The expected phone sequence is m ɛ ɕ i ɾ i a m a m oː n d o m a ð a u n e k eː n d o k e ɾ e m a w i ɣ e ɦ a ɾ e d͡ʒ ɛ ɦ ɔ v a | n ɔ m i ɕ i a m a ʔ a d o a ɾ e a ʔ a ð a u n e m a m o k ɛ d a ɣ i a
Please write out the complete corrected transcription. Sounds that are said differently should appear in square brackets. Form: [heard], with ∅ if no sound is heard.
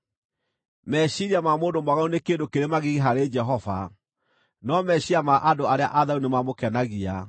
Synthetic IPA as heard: m ɛ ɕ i ɾ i a m a m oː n d o m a [ɣ] a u n e k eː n d o k e ɾ e m a [ɣ] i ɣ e ɦ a ɾ e d͡ʒ ɛ ɦ ɔ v a | n ɔ m [ɛ] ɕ i a m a ʔ a d o a ɾ e a ʔ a ð a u n e m a m o k ɛ [n] a ɣ i a